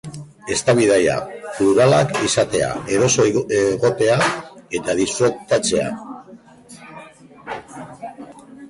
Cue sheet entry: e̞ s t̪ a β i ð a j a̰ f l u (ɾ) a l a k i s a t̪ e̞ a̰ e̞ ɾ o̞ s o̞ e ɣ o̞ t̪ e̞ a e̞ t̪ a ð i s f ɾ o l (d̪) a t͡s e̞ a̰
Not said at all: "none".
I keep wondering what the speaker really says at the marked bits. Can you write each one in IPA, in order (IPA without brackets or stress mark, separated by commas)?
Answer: ɾ, t̪